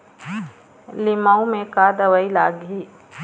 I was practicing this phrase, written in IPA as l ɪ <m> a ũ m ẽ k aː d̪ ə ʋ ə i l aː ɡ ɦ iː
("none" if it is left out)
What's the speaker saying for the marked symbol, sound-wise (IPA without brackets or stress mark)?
m